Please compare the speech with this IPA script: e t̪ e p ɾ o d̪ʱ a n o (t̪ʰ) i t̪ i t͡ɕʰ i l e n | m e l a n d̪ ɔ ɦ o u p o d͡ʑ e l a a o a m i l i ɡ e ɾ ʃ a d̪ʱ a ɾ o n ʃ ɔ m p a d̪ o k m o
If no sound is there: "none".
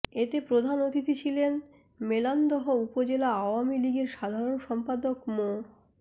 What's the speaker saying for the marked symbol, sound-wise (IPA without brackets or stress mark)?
t̪